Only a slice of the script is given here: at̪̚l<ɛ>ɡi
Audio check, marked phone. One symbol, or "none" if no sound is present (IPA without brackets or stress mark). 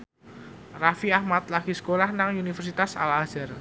a